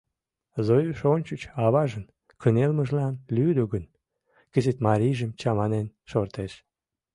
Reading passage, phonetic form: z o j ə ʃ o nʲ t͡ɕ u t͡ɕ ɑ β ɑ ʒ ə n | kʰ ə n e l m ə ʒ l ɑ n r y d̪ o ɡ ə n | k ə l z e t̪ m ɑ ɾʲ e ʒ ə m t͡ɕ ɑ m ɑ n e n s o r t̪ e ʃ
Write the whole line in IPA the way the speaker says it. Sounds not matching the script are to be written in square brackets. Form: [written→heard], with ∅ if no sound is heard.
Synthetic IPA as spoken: z o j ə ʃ o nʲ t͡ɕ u t͡ɕ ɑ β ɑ ʒ ə n | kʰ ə n e l m ə ʒ l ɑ n [r→l] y d̪ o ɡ ə n | k ə [l→∅] z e t̪ m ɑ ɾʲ [e→i] ʒ ə m t͡ɕ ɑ m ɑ n e n [s→ʃ] o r t̪ e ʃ